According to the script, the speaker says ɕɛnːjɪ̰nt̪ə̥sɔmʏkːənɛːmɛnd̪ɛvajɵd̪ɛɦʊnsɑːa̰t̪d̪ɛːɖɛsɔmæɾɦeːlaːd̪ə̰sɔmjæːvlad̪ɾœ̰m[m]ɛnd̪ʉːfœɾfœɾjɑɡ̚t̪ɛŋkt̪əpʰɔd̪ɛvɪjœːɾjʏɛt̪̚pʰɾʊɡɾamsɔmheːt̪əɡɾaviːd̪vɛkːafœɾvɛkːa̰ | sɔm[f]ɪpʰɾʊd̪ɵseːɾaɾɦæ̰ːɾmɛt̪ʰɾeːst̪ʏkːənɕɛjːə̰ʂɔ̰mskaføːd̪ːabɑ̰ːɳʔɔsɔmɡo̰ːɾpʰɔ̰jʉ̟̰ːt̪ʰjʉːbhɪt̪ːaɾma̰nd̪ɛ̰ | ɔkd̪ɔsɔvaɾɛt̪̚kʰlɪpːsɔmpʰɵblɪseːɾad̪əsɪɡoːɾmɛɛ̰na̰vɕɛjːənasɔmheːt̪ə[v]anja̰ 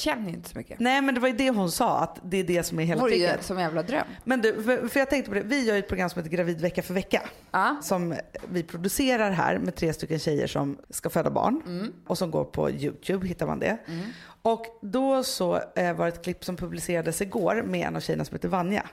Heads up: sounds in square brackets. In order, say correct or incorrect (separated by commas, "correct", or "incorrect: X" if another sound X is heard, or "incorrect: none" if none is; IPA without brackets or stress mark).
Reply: correct, incorrect: v, correct